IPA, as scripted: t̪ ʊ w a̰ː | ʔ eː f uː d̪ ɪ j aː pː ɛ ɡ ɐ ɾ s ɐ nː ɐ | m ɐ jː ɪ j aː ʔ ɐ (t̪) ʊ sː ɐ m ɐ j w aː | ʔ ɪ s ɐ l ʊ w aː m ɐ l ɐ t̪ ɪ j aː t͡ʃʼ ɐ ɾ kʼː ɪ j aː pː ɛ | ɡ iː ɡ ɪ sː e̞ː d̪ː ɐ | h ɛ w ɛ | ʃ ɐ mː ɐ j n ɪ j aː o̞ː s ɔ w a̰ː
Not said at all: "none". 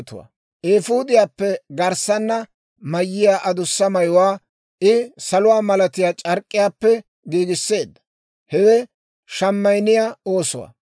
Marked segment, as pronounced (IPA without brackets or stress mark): d̪